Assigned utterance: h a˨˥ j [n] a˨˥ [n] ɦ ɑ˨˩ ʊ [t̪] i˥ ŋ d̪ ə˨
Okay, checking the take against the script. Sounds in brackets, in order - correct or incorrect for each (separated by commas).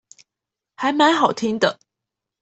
incorrect, correct, incorrect